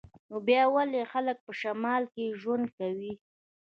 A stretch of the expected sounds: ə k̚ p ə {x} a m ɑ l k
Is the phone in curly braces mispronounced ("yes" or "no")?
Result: yes